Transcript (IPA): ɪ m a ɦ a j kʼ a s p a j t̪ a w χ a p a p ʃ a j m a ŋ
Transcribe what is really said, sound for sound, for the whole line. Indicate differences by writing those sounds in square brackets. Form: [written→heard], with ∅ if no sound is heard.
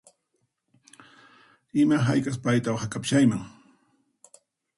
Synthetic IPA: ɪ m a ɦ a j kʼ a s p a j t̪ a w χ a [p→k] a p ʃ a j m a ŋ